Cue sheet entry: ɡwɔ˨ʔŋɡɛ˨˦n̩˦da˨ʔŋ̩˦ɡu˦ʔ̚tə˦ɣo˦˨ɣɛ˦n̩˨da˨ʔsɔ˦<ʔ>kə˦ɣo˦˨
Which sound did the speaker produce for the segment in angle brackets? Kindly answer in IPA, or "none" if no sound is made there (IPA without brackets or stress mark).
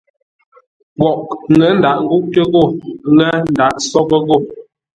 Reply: none